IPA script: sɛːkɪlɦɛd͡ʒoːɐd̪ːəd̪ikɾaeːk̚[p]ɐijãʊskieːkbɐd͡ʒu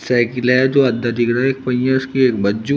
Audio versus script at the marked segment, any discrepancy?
no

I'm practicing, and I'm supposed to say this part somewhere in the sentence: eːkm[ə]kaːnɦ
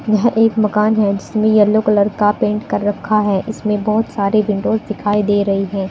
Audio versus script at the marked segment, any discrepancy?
yes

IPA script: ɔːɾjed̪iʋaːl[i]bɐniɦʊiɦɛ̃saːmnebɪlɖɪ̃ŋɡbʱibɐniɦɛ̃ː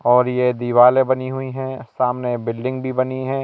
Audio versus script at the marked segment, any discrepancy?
yes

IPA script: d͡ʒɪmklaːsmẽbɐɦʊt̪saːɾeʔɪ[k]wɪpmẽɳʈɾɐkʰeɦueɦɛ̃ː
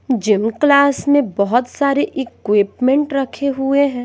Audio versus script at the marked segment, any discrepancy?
no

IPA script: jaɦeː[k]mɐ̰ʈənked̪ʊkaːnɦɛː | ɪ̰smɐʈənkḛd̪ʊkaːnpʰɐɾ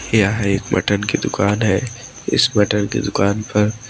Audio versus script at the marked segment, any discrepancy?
no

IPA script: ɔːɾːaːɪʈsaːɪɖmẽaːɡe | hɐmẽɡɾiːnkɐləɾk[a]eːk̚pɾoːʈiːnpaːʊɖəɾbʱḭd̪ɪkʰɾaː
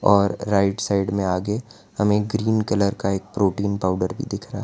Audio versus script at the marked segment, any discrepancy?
no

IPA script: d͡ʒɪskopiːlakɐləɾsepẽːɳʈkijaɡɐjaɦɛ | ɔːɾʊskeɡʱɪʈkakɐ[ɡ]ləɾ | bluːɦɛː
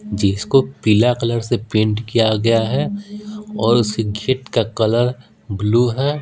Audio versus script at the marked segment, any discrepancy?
yes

